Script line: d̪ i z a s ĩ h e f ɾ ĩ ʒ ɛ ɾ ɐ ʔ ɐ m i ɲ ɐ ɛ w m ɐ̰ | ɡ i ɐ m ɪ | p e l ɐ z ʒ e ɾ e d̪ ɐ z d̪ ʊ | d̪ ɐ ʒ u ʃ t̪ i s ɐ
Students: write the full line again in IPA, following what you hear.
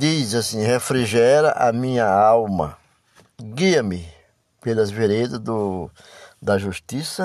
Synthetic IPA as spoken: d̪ i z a s ĩ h e f ɾ i ʒ ɛ ɾ ɐ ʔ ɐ m ĩ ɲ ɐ a w m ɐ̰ | ɡ i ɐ m ɪ | p e l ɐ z v e ɾ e d̪ ɐ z d̪ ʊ | d̪ ɐ ʒ u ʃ t̪ i s ɐ